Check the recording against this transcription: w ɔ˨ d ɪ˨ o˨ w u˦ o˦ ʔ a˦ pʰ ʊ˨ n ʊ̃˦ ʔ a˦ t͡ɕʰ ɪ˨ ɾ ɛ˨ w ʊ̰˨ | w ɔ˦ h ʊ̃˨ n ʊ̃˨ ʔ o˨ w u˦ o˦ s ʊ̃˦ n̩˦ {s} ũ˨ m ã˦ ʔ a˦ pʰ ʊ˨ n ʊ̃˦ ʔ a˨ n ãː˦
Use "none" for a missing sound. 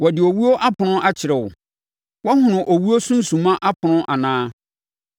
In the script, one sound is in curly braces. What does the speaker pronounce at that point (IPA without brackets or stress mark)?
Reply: s